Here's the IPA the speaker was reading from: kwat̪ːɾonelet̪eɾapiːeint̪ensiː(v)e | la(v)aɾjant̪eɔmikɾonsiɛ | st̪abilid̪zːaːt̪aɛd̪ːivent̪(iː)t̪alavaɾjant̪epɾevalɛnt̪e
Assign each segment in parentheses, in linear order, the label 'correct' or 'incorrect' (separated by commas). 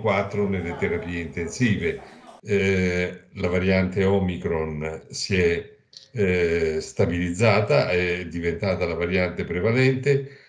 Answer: correct, correct, incorrect